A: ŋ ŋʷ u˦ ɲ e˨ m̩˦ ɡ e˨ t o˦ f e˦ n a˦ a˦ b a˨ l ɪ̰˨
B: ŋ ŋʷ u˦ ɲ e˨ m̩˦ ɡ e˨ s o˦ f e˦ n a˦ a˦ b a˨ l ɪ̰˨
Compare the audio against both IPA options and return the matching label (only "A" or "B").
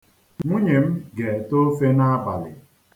A